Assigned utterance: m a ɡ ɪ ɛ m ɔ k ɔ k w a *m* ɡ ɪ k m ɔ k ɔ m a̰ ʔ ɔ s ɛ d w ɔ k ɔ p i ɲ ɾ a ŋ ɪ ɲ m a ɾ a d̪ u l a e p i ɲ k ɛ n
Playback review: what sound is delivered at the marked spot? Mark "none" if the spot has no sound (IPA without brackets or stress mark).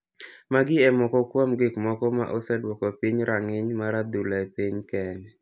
m